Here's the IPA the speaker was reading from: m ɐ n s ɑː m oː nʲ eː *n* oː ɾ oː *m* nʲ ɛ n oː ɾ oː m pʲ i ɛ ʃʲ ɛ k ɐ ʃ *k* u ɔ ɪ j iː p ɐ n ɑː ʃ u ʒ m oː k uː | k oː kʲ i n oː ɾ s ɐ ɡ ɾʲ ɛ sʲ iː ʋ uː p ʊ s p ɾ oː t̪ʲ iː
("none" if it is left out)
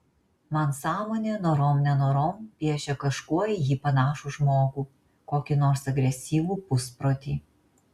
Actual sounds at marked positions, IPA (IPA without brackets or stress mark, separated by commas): n, m, k